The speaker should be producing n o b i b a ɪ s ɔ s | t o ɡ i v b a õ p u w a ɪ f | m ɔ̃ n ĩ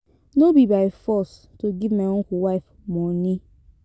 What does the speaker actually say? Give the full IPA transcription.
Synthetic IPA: n o b i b a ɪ f ɔ s | t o ɡ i v m a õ k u w a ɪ f | m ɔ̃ n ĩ